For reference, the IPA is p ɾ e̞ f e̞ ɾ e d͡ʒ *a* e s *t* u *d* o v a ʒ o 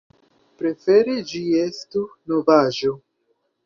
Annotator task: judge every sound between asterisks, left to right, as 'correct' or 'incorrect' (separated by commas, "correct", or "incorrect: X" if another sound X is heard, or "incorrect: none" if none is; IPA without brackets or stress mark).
incorrect: i, correct, incorrect: n